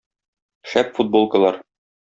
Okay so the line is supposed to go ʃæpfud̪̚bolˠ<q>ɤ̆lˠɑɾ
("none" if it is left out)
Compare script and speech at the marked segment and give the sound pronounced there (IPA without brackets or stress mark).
k